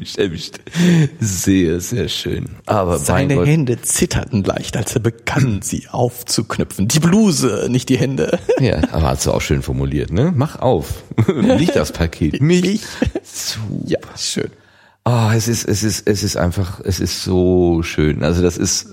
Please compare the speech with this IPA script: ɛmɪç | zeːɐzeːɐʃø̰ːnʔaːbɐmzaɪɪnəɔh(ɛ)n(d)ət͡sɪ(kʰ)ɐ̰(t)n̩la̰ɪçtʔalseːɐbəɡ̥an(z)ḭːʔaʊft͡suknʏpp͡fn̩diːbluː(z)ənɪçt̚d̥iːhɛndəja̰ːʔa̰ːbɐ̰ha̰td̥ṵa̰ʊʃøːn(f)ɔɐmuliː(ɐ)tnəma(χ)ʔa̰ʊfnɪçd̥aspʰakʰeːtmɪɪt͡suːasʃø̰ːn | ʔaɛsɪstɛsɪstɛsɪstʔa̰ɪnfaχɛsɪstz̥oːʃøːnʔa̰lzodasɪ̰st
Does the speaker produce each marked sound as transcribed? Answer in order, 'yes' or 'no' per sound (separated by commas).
yes, yes, no, yes, yes, yes, yes, yes, yes